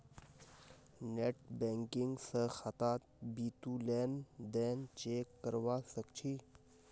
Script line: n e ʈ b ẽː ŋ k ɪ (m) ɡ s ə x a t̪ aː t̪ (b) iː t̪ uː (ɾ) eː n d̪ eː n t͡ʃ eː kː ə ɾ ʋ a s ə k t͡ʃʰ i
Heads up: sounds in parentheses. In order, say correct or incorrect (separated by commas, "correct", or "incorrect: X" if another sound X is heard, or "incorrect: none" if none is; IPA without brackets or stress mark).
incorrect: ŋ, correct, incorrect: l